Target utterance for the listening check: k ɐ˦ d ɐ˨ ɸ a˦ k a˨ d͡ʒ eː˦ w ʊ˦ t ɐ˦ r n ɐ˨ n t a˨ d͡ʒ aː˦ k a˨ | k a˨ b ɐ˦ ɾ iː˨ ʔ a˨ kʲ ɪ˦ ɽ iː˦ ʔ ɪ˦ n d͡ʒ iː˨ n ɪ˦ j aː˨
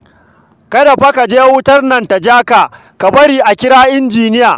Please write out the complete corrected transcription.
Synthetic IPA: k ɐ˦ d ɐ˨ ɸ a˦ k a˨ d͡ʒ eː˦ w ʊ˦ t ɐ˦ r n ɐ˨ n t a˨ d͡ʒ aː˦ k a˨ | k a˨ b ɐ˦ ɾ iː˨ ʔ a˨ kʲ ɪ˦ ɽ aː˦ ʔ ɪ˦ n d͡ʒ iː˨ n ɪ˦ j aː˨

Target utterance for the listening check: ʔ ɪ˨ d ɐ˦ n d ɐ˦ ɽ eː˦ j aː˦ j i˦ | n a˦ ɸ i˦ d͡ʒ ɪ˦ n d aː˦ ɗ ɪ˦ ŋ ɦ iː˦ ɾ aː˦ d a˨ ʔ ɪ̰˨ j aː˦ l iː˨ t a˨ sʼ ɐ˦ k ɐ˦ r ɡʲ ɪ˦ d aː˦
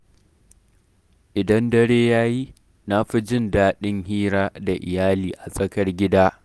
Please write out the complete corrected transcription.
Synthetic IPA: ʔ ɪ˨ d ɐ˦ n d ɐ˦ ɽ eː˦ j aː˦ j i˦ | n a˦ ɸ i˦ d͡ʒ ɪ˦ n d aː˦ ɗ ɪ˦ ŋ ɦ iː˦ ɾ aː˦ d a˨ ʔ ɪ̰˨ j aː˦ l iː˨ ʔ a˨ sʼ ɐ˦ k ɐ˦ r ɡʲ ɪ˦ d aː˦

